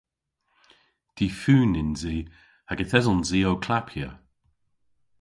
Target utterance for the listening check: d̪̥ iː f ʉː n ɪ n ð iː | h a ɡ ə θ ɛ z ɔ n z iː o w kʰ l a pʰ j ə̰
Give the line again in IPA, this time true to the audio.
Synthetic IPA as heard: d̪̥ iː f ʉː n ɪ n z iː | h a ɡ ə θ ɛ z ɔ n z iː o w kʰ l a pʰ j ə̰